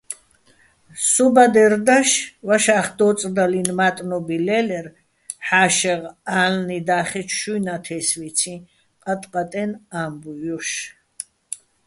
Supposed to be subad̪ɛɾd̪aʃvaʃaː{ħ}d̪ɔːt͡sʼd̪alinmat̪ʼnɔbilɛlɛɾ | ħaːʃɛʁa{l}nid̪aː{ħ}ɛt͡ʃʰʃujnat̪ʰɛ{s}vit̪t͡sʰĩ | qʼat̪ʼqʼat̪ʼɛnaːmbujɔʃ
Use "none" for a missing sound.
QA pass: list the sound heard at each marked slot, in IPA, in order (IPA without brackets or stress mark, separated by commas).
χ, l, χ, s